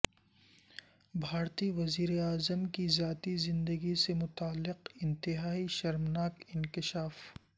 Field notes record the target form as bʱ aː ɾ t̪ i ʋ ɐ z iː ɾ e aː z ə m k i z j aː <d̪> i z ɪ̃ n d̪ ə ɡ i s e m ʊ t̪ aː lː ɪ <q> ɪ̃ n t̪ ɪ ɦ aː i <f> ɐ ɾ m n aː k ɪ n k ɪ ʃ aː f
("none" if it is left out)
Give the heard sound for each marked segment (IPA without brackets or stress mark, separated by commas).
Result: t̪, q, ʃ